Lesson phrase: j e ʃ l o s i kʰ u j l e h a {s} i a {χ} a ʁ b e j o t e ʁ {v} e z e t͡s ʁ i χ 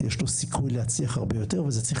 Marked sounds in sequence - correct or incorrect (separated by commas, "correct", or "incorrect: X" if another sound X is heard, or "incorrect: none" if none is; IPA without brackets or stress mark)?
incorrect: t͡s, correct, correct